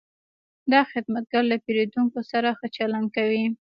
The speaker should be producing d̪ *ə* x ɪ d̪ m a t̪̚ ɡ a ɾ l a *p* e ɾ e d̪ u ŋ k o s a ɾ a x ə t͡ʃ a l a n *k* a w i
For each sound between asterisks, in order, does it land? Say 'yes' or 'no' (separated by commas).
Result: no, yes, yes